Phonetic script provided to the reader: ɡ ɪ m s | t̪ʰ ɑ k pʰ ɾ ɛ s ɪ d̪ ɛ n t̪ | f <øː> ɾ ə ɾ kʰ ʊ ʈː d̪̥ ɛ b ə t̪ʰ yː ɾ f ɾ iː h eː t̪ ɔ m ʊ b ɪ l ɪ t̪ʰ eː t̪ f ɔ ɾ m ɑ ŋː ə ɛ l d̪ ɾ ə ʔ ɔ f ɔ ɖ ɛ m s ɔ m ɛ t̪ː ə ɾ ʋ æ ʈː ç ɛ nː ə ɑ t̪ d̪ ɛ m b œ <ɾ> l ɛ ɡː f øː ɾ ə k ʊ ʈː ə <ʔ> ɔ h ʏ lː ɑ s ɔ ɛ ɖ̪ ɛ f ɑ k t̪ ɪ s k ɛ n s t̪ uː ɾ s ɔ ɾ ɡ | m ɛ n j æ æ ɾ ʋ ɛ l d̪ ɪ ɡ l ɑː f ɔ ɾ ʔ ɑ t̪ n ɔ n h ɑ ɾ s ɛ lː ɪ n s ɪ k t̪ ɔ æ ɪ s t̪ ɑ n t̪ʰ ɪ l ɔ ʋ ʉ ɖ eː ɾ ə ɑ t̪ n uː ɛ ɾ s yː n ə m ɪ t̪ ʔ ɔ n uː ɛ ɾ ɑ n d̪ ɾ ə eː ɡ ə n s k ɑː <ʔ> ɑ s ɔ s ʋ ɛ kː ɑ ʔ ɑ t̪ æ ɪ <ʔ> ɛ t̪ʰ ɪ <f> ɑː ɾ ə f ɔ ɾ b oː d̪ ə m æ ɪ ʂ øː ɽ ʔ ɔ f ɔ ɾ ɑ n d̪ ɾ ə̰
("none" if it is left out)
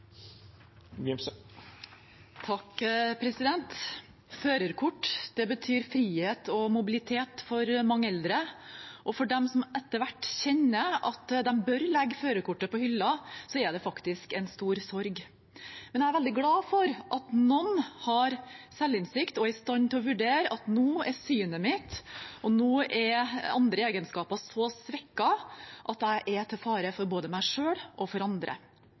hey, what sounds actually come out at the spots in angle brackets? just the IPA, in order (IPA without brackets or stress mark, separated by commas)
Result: øː, ɾ, p, p, ʔ, f